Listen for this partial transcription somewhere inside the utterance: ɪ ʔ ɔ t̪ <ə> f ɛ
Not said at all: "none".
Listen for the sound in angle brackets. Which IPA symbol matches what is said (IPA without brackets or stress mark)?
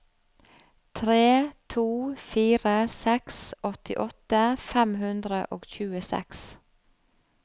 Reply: ə